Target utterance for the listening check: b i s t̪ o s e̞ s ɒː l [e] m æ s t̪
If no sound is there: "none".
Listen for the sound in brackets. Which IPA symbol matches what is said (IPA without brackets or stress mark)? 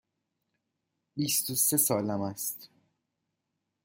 æ